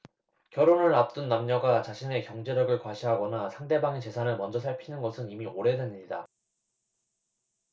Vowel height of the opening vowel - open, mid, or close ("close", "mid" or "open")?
mid